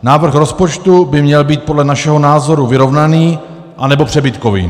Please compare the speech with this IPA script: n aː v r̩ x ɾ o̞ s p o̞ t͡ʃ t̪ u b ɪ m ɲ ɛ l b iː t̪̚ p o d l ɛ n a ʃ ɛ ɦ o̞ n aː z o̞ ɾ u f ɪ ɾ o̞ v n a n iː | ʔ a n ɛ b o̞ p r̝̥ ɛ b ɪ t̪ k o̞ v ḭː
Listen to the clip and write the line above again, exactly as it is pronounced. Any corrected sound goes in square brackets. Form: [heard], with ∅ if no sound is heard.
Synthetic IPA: n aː v r̩ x ɾ o̞ s p o̞ t͡ʃ t̪ u b ɪ m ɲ ɛ l b iː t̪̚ p o d l ɛ n a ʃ ɛ ɦ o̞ n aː z o̞ ɾ u [v] ɪ ɾ o̞ v n a n iː | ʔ a n ɛ b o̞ p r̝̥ ɛ b ɪ t̪ k o̞ v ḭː